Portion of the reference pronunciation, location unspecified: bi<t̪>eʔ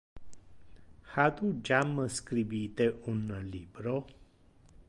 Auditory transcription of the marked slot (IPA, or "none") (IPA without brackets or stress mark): t̪